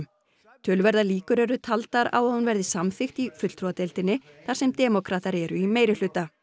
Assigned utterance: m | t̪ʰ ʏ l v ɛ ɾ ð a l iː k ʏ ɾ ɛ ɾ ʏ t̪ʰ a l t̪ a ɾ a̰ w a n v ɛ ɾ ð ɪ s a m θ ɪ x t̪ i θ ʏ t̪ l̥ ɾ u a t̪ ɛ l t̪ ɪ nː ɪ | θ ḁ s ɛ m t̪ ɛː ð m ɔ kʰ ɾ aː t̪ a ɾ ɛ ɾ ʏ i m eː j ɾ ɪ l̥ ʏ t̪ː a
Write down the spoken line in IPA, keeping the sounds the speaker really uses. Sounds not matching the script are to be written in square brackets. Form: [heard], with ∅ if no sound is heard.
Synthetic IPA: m | t̪ʰ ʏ l v ɛ ɾ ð a l iː k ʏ ɾ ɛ ɾ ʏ t̪ʰ a l t̪ a ɾ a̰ w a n v ɛ ɾ ð ɪ s a m θ ɪ x t̪ i [f] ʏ t̪ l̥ ɾ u a t̪ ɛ l t̪ ɪ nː ɪ | θ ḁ s ɛ m t̪ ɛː [∅] m ɔ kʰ ɾ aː t̪ a ɾ ɛ ɾ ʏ i m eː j ɾ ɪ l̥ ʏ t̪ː a

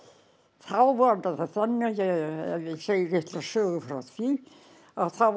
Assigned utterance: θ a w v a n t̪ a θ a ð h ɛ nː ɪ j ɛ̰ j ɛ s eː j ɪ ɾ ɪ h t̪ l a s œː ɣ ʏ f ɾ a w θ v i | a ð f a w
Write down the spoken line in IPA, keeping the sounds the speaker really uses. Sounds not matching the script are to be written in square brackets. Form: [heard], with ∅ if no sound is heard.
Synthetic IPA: θ a w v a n t̪ a θ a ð [θ] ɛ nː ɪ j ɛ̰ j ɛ s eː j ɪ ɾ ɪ h t̪ l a s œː ɣ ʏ f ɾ a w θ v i | a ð [θ] a w

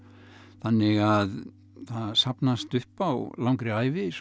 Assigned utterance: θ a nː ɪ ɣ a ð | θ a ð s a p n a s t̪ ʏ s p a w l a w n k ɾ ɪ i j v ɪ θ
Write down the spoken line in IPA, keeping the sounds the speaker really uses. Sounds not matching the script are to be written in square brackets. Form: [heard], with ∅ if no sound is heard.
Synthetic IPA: θ a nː ɪ ɣ a ð | θ a ð s a p n a s t̪ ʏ [h] p a w l a w [ŋ] k ɾ ɪ [a] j v ɪ [s]

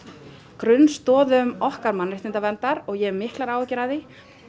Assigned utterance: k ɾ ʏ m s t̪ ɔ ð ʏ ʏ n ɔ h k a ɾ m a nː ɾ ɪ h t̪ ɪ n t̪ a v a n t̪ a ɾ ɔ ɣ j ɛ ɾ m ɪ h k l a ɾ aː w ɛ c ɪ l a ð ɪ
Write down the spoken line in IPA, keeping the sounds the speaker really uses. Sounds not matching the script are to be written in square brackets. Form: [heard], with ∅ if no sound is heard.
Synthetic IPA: k ɾ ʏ [n] s t̪ [ɔː] ð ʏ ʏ [m] ɔ h k a ɾ m a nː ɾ ɪ h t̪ ɪ n t̪ a v [ɛ] n t̪ a ɾ ɔ ɣ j ɛ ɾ m ɪ h k l a ɾ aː w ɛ c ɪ [ɾ] a ð ɪ

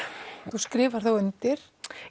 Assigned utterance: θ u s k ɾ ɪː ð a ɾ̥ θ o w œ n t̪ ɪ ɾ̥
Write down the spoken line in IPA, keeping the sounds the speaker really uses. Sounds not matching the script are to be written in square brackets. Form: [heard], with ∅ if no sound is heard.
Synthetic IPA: θ u s k ɾ ɪː [v] a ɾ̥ θ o w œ n t̪ ɪ ɾ̥

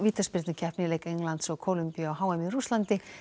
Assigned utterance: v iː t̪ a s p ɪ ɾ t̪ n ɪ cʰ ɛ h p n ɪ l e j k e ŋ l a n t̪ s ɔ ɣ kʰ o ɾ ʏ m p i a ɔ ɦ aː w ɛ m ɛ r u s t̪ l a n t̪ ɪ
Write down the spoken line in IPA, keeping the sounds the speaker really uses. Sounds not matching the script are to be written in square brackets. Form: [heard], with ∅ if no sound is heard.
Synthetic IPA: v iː t̪ a s p ɪ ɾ t̪ n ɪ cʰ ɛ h p n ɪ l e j k e ŋ l a n t̪ s ɔ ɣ kʰ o [l] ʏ m p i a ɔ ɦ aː w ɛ m [i] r u s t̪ l a n t̪ ɪ

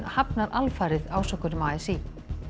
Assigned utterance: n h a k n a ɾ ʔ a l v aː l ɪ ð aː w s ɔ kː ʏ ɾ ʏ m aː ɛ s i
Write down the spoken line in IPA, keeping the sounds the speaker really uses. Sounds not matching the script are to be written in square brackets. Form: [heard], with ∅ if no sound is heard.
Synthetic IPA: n h a [p] n a ɾ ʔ a l [f] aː [ɾ] ɪ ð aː w s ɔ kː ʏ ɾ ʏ m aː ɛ s i

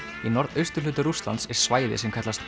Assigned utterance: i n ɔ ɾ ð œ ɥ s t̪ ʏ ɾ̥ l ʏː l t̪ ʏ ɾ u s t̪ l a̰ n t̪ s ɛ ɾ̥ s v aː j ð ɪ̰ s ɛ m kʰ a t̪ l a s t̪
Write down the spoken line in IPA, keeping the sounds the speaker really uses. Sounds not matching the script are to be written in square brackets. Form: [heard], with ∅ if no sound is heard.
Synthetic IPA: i n ɔ ɾ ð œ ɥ s t̪ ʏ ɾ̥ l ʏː [∅] t̪ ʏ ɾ u s t̪ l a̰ n t̪ s ɛ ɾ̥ s v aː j ð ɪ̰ s ɛ m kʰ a t̪ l a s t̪

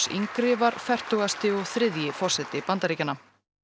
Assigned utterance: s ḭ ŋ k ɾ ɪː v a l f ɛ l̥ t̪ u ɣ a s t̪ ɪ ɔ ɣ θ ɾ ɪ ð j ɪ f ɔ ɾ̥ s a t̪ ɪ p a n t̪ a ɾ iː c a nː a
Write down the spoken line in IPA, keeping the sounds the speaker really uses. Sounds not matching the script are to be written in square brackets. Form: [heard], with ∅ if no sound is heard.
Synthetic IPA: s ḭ ŋ k ɾ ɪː v a [ɾ] f ɛ [r̥] t̪ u ɣ a s t̪ ɪ ɔ ɣ θ ɾ ɪ ð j ɪ f ɔ [r̥] s [ɛ] t̪ ɪ p a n t̪ a ɾ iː c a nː a

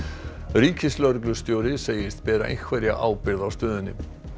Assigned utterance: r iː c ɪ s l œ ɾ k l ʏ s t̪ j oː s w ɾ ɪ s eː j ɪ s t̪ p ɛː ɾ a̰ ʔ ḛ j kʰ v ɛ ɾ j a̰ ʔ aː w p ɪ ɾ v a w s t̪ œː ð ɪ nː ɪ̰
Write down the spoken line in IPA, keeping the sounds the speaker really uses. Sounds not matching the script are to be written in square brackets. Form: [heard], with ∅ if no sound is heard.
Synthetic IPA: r iː c ɪ s l œ ɾ k l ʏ s t̪ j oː [∅] w ɾ ɪ s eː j ɪ s t̪ p ɛː ɾ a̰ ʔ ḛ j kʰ v ɛ ɾ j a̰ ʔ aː w p ɪ ɾ [ð] a w s t̪ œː ð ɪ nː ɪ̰

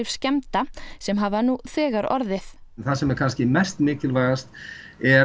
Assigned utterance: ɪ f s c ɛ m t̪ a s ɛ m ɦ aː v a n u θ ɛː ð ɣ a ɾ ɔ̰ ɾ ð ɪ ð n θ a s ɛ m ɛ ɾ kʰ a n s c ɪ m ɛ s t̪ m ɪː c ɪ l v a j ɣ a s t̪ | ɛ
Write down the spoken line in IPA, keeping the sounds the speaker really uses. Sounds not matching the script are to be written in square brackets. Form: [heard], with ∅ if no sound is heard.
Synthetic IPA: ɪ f s c ɛ m t̪ a s ɛ m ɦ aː v a n u θ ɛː [∅] ɣ a ɾ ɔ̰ ɾ ð ɪ [θ] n θ a s ɛ m ɛ ɾ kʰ a n s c ɪ m ɛ s t̪ m ɪː c ɪ l v a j ɣ a s t̪ | ɛ

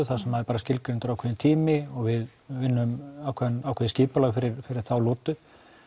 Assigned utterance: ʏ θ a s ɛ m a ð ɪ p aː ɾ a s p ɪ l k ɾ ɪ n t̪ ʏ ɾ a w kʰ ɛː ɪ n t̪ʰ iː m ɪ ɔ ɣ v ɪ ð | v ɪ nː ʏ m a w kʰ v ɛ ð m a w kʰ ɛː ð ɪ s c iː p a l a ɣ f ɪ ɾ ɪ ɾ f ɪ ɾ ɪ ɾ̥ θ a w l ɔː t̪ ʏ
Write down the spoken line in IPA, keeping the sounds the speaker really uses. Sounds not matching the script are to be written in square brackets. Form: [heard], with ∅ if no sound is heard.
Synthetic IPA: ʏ θ a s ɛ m a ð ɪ p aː ɾ a s [c] ɪ l k ɾ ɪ n t̪ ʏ ɾ a w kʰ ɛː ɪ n t̪ʰ iː m ɪ ɔ ɣ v ɪ ð | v ɪ nː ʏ m a w kʰ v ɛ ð [n] a w kʰ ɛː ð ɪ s c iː p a l a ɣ f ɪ ɾ ɪ ɾ f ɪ ɾ ɪ ɾ̥ θ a w l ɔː t̪ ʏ

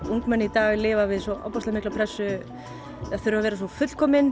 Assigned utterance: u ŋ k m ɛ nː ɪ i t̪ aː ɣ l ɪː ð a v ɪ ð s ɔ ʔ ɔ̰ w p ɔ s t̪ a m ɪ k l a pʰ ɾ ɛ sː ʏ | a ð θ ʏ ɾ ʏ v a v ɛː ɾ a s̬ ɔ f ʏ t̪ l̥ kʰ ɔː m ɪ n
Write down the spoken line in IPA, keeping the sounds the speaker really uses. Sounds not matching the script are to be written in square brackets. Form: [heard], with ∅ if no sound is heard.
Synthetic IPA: u ŋ k m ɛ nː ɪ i t̪ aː ɣ l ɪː [v] a v ɪ ð s ɔ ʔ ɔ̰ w p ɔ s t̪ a m ɪ k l a pʰ ɾ ɛ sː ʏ | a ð θ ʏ ɾ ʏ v a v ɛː ɾ a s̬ ɔ f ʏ t̪ l̥ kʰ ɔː m ɪ n

